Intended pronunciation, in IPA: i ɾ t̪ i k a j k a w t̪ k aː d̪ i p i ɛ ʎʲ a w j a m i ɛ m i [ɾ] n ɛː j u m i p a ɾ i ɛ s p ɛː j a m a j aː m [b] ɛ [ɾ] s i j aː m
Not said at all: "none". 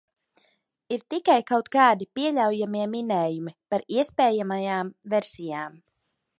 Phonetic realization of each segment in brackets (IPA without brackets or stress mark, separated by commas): none, v, ɾ